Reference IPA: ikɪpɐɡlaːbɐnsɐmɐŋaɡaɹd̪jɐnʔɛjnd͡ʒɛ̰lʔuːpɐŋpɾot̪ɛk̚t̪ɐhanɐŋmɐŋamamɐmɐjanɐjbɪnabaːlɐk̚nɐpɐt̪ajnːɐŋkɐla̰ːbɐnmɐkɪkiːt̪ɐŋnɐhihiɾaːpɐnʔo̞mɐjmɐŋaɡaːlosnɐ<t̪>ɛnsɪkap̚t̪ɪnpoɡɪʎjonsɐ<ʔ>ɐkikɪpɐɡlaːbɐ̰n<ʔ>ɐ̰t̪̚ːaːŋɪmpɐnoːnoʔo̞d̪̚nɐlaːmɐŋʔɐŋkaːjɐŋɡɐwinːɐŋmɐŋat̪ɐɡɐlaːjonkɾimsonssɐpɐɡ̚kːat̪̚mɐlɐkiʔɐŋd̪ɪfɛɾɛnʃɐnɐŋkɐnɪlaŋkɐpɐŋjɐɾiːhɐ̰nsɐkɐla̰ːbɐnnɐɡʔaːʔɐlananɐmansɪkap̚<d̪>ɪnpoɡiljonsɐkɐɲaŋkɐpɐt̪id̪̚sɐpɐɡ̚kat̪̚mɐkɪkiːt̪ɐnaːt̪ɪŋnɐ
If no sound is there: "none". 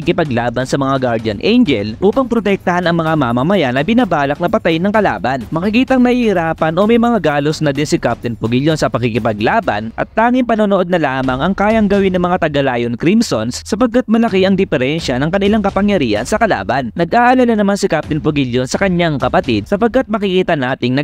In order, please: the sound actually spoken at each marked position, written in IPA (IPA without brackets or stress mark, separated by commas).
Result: d̪, p, ʔ, t̪